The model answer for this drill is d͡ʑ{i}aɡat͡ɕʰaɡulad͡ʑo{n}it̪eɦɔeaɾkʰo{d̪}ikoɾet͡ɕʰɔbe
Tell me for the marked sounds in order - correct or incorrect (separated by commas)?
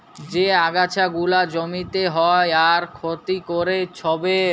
incorrect, incorrect, incorrect